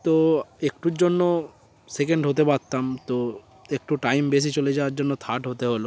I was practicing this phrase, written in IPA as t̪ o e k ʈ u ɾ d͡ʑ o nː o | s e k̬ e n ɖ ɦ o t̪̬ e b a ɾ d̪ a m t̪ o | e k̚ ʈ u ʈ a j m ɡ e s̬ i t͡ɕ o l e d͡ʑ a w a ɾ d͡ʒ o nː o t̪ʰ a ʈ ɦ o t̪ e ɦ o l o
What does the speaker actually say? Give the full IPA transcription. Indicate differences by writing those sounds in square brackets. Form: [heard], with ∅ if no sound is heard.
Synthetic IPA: t̪ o e k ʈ u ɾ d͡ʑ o nː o | s e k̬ e [ɳ] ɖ ɦ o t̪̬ e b a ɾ [t̪] a m t̪ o | e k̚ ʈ u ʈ a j m [b] e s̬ i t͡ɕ o l e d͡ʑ a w a ɾ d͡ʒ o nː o t̪ʰ a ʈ ɦ o t̪ e ɦ o l o